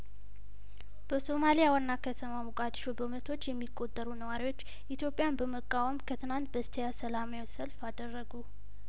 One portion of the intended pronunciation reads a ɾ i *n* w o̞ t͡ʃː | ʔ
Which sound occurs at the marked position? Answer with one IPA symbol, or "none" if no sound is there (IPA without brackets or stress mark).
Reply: none